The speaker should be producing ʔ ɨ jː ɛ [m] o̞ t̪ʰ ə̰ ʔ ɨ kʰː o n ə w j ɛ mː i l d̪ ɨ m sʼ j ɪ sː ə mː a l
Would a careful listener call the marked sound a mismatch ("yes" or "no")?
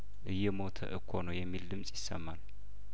no